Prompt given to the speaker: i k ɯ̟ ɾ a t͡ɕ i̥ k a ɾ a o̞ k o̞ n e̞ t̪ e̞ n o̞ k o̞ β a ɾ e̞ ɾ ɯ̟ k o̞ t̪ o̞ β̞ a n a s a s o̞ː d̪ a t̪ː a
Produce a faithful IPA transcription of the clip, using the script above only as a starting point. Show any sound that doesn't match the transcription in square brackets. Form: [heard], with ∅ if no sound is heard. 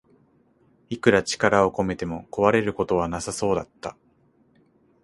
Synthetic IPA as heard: i k ɯ̟ ɾ a t͡ɕ i̥ k a ɾ a o̞ k o̞ [m] e̞ t̪ e̞ [m] o̞ k o̞ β a ɾ e̞ ɾ ɯ̟ k o̞ t̪ o̞ β̞ a n a s a s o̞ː d̪ a t̪ː a